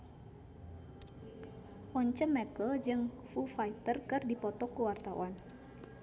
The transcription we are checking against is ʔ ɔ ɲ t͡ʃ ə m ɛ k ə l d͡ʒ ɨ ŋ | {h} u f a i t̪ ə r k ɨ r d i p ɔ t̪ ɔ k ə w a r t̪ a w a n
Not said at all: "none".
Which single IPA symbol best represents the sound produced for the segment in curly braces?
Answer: f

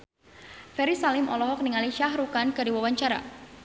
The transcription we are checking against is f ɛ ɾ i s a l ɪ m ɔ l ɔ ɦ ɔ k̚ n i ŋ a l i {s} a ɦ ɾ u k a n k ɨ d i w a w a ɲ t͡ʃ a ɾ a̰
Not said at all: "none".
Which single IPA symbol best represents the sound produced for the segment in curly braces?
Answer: ʃ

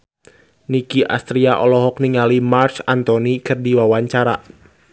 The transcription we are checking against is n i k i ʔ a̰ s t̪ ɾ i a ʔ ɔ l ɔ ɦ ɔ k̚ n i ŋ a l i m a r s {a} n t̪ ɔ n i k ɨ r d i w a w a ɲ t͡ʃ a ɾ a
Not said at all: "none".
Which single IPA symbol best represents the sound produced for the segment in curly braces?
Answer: a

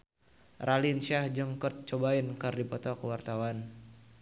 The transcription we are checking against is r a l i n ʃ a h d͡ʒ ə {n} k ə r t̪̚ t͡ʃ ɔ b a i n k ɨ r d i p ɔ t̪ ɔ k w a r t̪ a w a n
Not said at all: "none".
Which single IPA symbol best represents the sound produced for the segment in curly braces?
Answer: ŋ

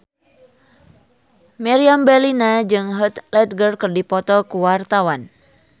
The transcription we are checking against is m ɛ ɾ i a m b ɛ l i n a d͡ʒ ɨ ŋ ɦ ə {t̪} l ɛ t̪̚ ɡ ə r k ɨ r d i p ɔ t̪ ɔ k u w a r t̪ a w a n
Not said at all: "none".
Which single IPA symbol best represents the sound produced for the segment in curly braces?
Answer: t̪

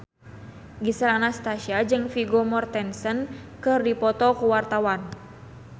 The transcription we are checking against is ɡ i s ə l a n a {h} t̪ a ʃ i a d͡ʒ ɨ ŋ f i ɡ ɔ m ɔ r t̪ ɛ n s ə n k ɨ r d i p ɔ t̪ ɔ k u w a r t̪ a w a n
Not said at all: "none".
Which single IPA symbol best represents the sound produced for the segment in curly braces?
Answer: s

